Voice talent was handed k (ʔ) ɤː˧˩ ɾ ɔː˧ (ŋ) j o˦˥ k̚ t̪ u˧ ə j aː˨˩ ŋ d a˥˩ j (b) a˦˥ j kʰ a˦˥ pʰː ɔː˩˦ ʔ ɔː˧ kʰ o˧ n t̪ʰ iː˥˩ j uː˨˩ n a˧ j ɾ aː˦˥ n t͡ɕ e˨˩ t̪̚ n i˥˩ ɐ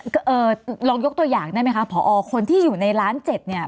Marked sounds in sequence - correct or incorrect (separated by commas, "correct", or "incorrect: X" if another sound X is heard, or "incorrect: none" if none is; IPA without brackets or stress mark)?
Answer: correct, correct, incorrect: m